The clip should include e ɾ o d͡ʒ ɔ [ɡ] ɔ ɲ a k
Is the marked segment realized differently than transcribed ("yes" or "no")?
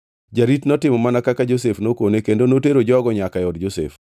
no